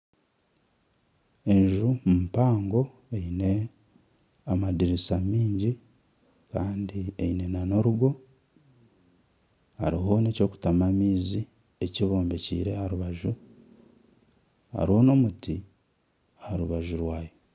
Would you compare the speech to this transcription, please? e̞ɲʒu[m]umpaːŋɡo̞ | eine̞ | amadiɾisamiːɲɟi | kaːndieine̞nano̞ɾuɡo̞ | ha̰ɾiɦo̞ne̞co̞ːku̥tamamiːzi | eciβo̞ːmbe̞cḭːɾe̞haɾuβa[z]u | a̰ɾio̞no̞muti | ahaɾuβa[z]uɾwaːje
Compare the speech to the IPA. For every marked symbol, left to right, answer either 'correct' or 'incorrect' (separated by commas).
correct, incorrect, incorrect